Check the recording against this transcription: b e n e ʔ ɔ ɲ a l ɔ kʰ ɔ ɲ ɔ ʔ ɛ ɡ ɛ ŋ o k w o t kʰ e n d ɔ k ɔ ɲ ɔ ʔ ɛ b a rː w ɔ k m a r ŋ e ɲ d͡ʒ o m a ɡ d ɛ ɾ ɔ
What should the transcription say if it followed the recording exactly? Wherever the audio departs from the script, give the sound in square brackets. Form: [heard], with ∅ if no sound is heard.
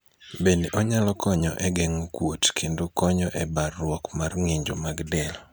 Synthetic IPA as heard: b e n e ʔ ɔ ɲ a l ɔ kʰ ɔ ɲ ɔ ʔ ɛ ɡ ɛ ŋ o k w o t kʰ e n d [o] k ɔ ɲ ɔ ʔ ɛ b a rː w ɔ k m a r ŋ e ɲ d͡ʒ o m a ɡ d ɛ [l] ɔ